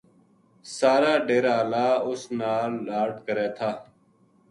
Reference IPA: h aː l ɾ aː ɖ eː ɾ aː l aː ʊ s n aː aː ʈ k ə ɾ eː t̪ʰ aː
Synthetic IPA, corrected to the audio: s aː ɾ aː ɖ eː ɾ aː l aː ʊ s n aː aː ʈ k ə ɾ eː t̪ʰ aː